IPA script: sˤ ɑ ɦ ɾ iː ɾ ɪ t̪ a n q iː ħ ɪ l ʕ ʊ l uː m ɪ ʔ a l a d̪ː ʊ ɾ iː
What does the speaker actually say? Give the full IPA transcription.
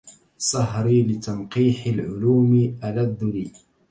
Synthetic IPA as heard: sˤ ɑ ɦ ɾ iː l ɪ t̪ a n q iː ħ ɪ l ʕ ʊ l uː m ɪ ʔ a l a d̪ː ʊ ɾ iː